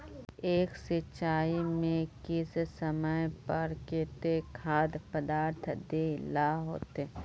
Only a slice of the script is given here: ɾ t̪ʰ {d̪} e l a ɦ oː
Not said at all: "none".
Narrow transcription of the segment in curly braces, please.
d̪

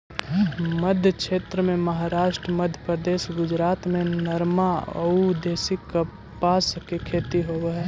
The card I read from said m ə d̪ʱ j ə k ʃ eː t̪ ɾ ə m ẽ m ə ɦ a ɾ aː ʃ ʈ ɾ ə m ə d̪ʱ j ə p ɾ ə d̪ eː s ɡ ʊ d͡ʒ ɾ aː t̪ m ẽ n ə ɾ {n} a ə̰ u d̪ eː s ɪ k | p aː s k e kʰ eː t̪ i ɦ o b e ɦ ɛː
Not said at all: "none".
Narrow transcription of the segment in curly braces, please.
m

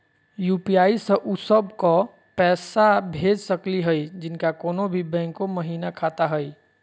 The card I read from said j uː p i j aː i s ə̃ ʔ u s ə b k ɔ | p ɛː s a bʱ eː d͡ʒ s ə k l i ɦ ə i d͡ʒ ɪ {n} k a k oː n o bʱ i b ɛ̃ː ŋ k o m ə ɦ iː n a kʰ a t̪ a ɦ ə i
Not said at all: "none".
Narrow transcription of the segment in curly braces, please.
n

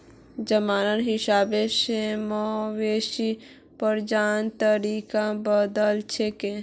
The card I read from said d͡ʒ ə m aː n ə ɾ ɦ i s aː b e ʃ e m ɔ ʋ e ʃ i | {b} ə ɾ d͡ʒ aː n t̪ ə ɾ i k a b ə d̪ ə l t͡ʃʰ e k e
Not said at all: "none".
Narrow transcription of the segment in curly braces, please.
p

